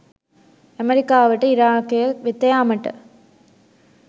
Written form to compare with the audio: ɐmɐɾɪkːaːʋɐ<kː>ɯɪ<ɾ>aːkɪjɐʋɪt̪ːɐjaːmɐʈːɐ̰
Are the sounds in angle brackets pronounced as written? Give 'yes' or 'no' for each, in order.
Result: no, yes

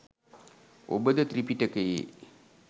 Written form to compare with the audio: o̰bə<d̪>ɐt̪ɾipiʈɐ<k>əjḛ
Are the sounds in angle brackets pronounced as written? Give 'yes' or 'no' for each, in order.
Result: yes, yes

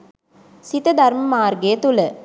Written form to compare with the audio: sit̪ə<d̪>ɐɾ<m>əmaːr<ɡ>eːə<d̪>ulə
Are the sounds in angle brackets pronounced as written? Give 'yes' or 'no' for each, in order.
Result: yes, yes, yes, no

